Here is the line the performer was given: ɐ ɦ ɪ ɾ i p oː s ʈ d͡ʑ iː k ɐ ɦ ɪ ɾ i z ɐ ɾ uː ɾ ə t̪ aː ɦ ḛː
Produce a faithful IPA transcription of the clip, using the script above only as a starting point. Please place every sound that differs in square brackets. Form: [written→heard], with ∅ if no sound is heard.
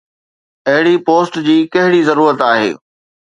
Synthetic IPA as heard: ɐ ɦ ɪ [ɾ→ɽ] i p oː s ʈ d͡ʑ iː k ɐ ɦ ɪ [ɾ→ɽ] i z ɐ ɾ uː ɾ ə t̪ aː ɦ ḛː